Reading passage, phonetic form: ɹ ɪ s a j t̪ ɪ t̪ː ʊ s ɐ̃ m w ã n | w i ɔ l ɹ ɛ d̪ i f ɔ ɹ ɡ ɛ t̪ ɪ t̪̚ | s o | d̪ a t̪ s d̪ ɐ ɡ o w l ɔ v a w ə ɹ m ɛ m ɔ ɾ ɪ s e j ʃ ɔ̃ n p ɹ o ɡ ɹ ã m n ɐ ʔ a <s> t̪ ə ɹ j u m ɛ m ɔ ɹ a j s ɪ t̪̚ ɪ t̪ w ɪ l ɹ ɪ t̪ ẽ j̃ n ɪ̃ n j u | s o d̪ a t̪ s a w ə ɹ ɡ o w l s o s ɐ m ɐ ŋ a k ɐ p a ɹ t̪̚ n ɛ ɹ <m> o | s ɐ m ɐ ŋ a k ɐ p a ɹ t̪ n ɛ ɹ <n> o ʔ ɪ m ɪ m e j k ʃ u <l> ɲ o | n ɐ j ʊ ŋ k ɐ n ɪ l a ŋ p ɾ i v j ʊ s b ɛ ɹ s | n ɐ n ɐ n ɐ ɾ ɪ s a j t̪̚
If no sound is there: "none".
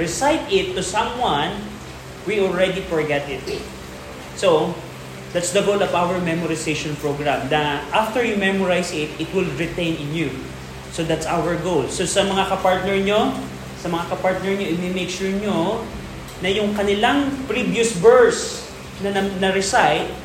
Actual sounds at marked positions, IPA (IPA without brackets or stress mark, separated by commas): f, ɲ, ɲ, ɹ